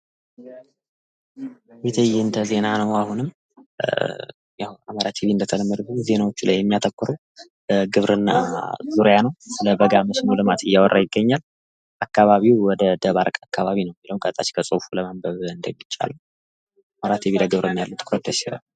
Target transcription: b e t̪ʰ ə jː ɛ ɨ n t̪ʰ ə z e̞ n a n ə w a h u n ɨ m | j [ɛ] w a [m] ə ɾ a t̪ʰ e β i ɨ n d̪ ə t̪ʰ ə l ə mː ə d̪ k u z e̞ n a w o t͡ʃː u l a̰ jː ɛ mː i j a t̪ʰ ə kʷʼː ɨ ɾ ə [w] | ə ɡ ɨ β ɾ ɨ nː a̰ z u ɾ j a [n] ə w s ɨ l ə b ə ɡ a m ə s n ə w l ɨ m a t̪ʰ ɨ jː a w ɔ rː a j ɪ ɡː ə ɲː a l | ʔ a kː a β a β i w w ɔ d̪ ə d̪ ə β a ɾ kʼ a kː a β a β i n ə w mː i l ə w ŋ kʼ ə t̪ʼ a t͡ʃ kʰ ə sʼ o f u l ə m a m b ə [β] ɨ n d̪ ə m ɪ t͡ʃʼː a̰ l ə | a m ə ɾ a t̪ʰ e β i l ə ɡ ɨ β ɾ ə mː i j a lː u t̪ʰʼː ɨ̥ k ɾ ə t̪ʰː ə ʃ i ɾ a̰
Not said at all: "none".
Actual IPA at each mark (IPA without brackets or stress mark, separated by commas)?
a, m, w, n, β